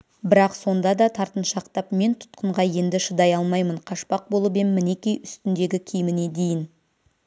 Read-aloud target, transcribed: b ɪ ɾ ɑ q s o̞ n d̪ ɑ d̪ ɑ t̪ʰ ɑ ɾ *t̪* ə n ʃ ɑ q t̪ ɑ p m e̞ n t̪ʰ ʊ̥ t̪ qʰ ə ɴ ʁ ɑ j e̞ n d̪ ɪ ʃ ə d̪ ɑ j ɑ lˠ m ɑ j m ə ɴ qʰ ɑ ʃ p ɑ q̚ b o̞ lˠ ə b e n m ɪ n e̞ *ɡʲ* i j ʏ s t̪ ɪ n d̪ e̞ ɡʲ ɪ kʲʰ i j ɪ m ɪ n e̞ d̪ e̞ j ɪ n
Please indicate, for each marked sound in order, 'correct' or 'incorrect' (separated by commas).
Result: correct, incorrect